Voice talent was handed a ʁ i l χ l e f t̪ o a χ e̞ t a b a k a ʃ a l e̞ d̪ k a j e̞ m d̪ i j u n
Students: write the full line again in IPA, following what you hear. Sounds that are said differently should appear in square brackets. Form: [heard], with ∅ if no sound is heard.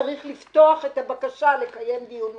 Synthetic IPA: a ʁ i [∅] χ l [i] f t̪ o a χ e̞ t a b a k a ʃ a l e̞ [∅] k a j e̞ m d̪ i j u n